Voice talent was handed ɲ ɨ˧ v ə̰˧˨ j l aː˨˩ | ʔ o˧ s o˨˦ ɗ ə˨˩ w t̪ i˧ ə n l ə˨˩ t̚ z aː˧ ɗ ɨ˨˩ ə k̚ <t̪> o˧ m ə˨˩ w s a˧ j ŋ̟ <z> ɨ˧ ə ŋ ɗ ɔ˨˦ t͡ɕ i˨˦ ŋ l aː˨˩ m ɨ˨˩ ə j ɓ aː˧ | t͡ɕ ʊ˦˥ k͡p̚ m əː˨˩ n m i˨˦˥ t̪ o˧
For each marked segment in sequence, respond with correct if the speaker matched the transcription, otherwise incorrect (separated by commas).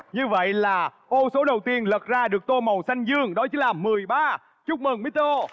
correct, correct